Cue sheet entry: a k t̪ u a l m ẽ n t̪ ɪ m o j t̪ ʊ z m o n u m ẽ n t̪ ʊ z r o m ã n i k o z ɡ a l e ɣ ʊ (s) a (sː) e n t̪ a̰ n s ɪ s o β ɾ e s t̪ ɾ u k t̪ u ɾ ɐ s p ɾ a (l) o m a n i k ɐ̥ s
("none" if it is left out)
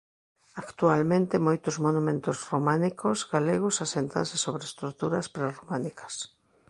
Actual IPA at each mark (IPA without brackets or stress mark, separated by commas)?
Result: s, s, r